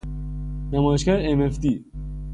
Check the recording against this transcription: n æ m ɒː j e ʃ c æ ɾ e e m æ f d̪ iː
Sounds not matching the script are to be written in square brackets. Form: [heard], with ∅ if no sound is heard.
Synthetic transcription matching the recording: n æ m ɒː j e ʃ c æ ɾ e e m [e] f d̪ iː